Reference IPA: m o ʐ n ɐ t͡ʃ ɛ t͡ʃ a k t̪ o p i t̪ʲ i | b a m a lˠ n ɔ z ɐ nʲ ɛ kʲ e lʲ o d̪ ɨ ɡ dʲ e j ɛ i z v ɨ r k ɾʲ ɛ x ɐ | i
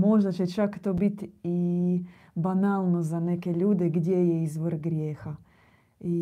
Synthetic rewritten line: m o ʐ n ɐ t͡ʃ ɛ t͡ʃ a k t̪ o b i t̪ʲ i | b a n a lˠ n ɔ z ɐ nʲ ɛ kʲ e lʲ u d̪ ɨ ɡ dʲ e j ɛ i z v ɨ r ɡ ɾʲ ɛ x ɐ | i